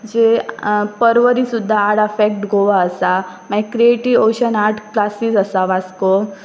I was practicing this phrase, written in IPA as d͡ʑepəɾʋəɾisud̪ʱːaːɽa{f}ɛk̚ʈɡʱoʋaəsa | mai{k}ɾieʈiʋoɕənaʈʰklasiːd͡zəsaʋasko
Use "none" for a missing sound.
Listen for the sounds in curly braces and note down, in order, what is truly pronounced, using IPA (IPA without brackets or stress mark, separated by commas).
f, k